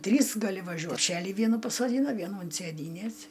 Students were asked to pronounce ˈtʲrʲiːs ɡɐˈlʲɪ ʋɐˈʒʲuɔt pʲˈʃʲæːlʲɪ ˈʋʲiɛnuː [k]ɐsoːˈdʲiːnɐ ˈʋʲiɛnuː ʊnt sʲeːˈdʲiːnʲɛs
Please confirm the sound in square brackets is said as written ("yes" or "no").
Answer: no